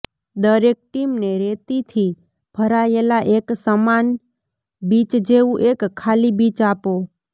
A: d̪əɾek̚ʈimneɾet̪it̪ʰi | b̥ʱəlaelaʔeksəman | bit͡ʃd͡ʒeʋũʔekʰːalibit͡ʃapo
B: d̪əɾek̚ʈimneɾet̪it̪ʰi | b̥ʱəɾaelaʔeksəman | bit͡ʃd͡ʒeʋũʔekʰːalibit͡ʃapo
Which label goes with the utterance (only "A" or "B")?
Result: B